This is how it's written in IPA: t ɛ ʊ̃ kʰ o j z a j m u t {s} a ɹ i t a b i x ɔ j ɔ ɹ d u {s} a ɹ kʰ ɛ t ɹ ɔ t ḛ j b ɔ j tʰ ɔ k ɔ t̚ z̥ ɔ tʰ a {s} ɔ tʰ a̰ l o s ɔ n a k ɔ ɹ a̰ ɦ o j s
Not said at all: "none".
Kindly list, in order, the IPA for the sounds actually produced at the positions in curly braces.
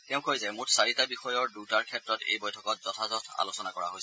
s, t, z

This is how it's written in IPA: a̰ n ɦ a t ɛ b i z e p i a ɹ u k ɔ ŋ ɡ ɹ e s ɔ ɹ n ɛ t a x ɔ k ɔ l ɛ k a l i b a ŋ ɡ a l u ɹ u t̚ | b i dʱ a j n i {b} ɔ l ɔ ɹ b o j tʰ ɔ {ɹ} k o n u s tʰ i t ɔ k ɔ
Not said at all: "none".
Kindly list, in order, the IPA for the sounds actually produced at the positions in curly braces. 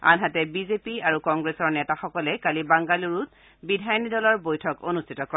d, none

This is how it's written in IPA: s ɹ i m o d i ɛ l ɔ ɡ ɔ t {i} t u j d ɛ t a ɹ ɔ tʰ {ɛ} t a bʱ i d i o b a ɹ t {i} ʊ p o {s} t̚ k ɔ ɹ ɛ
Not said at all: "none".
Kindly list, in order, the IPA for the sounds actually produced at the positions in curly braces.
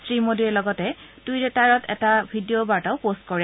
ɛ, ɛ, a, s

